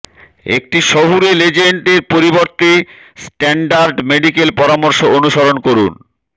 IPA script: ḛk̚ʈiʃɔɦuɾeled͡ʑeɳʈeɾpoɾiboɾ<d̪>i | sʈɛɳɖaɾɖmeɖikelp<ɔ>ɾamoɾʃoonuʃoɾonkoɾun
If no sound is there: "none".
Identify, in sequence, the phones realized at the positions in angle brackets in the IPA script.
t̪, ɔ

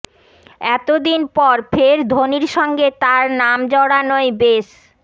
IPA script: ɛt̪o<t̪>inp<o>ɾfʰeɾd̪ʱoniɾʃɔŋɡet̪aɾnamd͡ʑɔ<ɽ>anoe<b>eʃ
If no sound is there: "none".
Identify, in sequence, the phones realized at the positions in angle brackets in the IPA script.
d̪, ɔ, ɽ, b

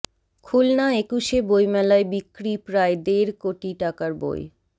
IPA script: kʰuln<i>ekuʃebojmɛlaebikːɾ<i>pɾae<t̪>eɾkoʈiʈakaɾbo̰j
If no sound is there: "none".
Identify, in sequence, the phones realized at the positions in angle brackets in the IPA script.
a, i, d̪

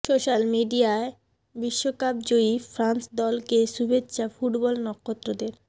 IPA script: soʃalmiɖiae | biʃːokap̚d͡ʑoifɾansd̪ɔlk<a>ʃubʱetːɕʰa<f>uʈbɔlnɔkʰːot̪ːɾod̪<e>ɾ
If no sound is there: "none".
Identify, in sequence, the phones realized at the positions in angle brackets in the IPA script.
e, f, e

